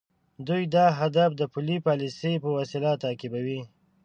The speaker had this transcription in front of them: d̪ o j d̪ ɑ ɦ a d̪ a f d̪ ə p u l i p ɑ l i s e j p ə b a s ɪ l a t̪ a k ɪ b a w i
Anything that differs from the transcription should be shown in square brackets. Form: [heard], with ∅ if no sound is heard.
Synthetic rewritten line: d̪ [u] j d̪ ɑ ɦ a d̪ a f d̪ ə p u l i p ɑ l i s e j p ə [w] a s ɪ l a t̪ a k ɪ b a w i